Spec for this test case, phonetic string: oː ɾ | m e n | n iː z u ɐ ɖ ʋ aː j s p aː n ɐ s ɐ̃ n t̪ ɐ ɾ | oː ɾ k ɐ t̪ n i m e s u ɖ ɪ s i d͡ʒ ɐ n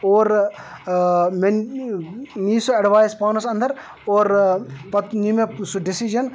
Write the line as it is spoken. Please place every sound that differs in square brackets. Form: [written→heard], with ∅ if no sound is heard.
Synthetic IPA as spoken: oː ɾ | m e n | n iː [z→s] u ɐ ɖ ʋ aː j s p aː n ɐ s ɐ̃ n [t̪→d̪] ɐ ɾ | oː ɾ [k→p] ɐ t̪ n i m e s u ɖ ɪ s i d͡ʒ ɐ n